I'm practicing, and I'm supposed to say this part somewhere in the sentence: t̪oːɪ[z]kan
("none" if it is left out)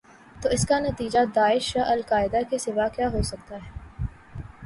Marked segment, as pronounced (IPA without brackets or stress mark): s